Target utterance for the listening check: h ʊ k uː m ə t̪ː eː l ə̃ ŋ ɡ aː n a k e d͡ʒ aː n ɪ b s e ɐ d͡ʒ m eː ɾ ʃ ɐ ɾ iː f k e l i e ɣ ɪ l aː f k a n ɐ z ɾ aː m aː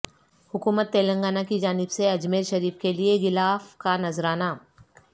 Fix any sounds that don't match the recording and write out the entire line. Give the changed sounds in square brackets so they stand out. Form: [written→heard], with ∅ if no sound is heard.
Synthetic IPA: h ʊ k uː m ə t̪ː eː l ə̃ ŋ ɡ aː n a k [e→i] d͡ʒ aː n ɪ b s e ɐ d͡ʒ m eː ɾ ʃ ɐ ɾ iː f k e l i e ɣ ɪ l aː f k a n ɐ z ɾ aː [m→n] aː